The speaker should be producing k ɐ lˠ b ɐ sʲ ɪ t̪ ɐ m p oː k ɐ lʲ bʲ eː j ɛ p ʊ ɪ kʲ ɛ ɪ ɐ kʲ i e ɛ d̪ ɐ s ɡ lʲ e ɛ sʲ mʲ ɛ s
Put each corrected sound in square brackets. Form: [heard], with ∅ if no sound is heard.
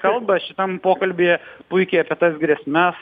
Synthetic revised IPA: k ɐ lˠ b ɐ [ʃʲ] ɪ t̪ ɐ m p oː k ɐ lʲ bʲ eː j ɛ p ʊ ɪ kʲ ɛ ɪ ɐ [pʲ] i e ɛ [t̪] ɐ s ɡ [ɾʲ] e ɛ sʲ mʲ ɛ s